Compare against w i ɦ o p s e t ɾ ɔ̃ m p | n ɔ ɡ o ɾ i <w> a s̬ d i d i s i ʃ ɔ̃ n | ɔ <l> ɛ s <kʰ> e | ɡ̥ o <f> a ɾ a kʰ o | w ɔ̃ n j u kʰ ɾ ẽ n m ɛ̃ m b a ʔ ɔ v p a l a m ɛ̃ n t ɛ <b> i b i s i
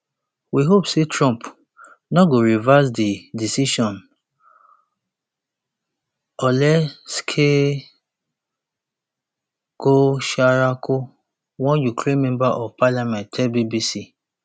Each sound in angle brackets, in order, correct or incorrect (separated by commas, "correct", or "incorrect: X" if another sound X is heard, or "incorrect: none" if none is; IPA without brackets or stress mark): incorrect: v, correct, correct, incorrect: ʃ, correct